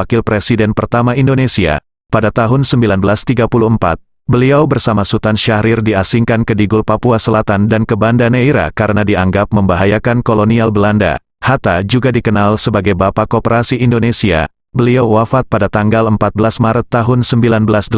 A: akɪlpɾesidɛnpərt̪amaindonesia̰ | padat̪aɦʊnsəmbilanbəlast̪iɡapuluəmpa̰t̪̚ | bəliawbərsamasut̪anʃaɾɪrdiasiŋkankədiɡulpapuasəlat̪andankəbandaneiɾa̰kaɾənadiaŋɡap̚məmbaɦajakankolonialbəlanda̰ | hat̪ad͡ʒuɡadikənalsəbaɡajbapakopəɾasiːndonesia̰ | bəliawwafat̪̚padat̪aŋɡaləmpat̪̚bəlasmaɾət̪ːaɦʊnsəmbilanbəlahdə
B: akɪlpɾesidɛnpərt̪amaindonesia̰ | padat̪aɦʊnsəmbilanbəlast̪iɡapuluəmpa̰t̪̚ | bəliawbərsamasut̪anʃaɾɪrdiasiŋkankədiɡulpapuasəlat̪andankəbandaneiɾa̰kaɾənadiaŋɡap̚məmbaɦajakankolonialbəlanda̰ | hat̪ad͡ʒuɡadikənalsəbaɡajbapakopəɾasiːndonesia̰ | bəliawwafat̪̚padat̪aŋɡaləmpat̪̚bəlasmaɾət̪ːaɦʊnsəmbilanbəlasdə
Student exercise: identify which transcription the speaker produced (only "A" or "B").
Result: B